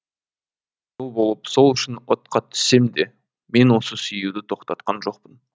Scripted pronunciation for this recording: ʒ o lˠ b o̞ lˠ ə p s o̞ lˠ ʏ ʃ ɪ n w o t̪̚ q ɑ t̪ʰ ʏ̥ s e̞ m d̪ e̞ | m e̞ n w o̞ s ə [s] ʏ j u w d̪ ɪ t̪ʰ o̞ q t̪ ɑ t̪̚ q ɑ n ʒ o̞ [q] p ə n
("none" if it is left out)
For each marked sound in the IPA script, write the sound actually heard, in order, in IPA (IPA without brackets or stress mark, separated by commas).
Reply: s, q